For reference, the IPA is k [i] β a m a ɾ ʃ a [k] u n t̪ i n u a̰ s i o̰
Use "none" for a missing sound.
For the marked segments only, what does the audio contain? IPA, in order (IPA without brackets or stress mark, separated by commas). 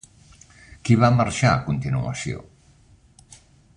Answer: i, k